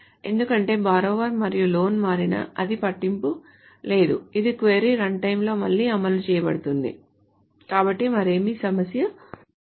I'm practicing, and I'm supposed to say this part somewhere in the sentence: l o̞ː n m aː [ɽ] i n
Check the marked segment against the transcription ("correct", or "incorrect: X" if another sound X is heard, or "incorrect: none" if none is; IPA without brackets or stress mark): incorrect: ɾ